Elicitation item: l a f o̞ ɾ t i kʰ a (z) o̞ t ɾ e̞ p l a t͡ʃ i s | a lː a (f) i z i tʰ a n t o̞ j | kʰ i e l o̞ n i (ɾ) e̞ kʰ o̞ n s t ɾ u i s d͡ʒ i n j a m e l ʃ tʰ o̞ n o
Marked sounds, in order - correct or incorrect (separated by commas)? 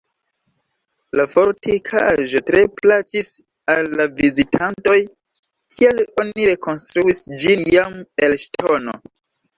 incorrect, incorrect, correct